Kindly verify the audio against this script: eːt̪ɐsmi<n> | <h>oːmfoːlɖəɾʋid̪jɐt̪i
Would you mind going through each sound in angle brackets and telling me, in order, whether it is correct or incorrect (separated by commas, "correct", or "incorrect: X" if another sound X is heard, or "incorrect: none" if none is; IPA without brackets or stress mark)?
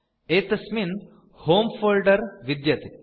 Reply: correct, correct